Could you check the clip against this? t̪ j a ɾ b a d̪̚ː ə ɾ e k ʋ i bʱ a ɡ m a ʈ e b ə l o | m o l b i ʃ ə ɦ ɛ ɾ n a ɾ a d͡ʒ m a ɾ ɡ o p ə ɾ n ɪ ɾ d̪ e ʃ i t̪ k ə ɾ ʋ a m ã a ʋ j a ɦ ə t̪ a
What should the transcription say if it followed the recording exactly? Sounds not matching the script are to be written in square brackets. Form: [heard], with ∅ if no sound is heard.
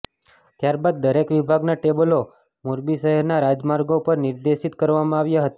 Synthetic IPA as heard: t̪ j a ɾ b a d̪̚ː ə ɾ e k ʋ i bʱ a ɡ [n] a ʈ e b ə l o | m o [ɾ] b i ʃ ə ɦ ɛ ɾ n a ɾ a d͡ʒ m a ɾ ɡ o p ə ɾ n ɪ ɾ d̪ e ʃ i t̪ k ə ɾ ʋ a m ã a ʋ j a ɦ ə t̪ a